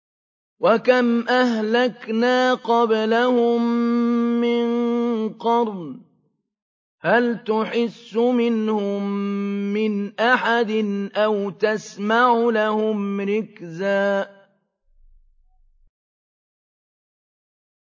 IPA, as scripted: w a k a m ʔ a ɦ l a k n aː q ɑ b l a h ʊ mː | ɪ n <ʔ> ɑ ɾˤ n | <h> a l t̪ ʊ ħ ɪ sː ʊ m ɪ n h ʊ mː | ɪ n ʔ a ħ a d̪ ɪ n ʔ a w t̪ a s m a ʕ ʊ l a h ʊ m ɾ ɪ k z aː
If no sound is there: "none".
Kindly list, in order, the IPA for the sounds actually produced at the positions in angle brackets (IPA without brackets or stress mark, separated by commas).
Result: q, h